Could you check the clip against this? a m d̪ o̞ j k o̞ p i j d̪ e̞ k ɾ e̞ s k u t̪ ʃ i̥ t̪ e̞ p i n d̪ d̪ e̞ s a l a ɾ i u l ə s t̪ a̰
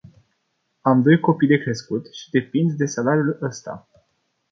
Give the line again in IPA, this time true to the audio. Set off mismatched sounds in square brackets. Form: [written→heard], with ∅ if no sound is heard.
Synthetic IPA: a m d̪ o̞ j k o̞ p i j d̪ e̞ k ɾ e̞ s k u t̪ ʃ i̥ [t̪→d̪] e̞ p i n d̪ d̪ e̞ s a l a ɾ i u l ə s t̪ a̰